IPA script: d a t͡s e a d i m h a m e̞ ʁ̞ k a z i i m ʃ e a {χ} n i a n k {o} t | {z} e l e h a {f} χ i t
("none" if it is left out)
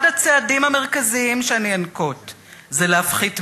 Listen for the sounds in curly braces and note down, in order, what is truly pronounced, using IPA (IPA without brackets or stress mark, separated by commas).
none, o, z, f